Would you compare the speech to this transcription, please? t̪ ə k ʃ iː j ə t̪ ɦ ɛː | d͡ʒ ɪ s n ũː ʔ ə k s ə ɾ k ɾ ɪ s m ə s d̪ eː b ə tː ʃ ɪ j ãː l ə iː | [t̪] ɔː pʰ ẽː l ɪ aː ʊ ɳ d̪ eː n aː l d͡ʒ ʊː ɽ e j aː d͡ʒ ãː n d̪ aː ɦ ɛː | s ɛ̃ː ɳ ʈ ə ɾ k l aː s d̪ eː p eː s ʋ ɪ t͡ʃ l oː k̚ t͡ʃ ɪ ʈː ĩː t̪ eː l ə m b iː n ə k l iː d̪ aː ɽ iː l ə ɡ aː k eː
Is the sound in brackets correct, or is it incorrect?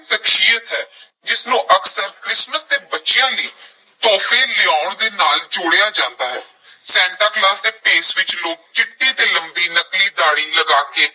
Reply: correct